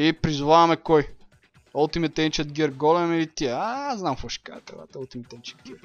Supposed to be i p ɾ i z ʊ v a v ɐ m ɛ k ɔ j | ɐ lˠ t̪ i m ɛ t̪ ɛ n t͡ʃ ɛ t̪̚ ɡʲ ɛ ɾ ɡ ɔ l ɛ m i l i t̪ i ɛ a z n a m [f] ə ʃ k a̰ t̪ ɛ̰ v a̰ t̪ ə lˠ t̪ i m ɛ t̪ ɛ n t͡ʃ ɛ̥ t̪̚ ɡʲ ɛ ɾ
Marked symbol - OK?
yes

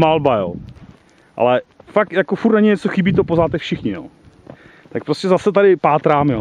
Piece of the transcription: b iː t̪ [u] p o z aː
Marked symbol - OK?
no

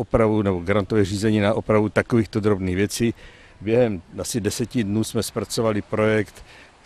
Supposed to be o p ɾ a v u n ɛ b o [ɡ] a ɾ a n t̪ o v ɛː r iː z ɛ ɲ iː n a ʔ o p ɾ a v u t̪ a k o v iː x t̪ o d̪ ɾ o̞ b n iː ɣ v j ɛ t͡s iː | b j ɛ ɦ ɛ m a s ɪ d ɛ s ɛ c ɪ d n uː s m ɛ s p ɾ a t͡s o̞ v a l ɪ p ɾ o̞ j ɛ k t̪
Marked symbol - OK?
yes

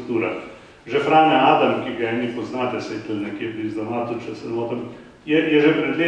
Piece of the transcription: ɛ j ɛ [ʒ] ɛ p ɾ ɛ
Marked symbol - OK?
yes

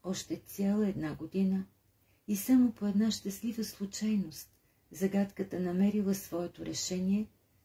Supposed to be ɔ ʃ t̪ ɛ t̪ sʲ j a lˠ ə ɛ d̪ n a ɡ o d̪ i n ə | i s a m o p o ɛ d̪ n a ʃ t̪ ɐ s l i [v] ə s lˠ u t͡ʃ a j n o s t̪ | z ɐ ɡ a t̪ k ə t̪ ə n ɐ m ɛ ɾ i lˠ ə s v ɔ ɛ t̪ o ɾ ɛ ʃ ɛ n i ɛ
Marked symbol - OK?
yes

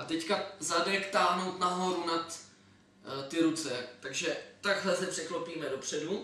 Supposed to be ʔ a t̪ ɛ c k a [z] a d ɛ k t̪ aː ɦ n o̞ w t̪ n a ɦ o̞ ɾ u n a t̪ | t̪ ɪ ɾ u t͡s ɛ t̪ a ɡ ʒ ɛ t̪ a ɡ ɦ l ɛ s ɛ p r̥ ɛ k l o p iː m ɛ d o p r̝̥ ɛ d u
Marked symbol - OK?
yes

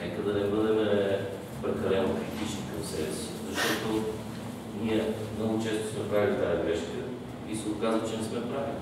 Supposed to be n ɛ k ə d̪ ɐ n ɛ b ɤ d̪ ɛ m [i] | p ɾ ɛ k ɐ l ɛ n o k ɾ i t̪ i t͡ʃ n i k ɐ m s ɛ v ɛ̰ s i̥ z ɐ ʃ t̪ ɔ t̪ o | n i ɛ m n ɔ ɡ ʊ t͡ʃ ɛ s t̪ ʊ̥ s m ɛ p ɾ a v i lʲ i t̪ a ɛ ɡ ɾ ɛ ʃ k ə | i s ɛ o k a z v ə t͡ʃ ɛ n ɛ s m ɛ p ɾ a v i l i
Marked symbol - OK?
no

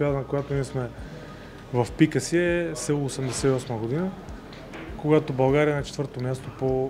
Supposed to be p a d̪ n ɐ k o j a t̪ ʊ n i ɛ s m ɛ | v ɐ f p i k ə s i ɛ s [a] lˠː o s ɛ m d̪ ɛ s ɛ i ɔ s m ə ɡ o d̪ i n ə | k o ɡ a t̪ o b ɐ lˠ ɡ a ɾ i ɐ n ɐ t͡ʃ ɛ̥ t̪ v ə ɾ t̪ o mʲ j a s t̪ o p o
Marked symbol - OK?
no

